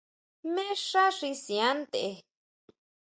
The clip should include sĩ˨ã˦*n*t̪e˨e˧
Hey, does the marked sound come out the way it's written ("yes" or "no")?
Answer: yes